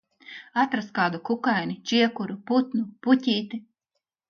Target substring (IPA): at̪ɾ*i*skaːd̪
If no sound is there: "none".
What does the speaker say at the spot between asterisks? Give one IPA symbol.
a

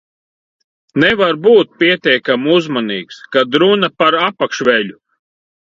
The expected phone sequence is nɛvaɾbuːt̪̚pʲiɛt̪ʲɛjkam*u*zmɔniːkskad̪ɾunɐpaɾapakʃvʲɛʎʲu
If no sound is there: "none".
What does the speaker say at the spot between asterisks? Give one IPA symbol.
u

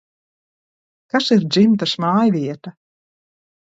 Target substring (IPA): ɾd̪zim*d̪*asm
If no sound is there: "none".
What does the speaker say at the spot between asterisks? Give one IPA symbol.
t̪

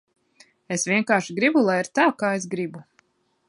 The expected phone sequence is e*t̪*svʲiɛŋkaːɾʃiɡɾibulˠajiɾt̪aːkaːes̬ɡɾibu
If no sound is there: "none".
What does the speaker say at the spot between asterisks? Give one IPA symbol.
none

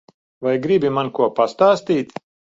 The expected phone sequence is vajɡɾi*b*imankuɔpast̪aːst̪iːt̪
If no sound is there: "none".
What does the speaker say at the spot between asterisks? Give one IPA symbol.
b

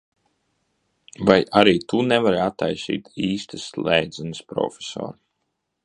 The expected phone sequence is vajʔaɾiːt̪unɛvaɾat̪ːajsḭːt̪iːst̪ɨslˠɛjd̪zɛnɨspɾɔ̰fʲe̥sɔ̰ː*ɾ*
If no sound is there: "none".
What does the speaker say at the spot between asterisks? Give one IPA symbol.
ɾ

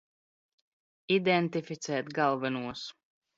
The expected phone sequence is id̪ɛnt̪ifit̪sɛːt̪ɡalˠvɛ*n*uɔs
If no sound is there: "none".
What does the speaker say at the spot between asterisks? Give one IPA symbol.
n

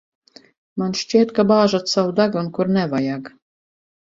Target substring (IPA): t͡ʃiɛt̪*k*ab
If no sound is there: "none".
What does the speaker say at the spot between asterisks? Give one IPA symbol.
k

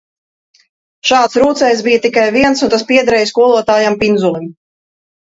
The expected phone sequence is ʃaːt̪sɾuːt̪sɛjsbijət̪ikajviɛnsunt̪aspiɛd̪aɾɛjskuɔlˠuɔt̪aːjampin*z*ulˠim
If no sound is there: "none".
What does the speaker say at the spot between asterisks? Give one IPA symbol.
z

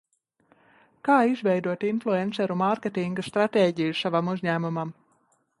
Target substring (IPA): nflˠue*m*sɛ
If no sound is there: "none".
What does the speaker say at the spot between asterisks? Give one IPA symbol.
n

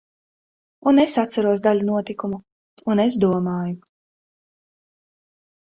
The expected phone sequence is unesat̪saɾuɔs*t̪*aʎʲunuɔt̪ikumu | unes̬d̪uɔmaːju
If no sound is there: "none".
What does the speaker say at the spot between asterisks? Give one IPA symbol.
d̪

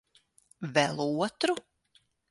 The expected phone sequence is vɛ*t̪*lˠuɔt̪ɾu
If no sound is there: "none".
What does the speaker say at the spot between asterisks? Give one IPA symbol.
none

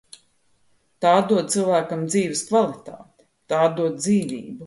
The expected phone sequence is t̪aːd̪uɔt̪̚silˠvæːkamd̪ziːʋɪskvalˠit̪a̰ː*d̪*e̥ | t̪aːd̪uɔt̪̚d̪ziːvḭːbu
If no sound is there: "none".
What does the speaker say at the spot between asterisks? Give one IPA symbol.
t̪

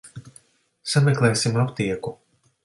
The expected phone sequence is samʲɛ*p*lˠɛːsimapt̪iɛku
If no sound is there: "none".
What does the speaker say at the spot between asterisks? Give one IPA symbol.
k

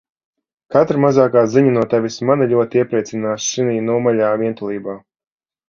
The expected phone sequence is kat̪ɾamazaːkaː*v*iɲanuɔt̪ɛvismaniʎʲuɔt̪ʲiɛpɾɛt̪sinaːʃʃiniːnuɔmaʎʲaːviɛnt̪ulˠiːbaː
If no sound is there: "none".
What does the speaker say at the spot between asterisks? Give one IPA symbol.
z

